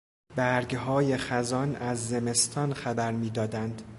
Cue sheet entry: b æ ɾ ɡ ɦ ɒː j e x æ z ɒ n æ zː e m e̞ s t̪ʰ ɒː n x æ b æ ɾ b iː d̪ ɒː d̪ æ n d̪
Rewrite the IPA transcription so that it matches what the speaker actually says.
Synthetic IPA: b æ ɾ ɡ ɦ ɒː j e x æ z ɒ n æ zː e m e̞ s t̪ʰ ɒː n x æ b æ ɾ m iː d̪ ɒː d̪ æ n d̪